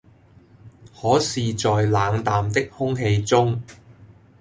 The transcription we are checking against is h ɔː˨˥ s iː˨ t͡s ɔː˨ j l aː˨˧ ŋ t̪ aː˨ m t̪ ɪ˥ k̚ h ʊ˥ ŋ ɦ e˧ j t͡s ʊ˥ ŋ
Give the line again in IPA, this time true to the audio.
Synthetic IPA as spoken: h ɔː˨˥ s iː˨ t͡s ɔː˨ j l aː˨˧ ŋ t̪ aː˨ m t̪ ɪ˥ k̚ h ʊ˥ ŋ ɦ e˧ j t͡s ʊ˥ ŋ